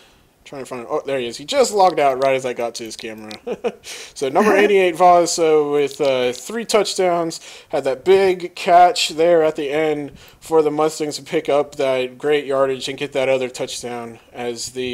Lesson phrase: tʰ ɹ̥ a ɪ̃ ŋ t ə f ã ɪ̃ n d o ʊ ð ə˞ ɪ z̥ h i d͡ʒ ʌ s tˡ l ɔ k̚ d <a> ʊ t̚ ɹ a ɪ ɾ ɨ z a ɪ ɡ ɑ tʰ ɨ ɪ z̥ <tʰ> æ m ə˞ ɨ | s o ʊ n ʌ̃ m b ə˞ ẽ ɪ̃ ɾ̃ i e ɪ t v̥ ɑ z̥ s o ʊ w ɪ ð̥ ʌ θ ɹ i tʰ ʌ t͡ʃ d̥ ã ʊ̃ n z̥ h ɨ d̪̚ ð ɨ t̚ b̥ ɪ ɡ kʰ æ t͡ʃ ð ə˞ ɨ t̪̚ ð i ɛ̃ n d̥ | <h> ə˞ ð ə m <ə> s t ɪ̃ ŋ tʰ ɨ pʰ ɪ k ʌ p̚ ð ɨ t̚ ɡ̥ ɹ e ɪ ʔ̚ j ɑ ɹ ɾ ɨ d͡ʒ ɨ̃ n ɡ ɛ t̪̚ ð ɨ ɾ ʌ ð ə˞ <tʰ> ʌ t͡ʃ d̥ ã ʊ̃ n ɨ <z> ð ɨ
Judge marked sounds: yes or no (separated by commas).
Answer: yes, no, no, no, yes, yes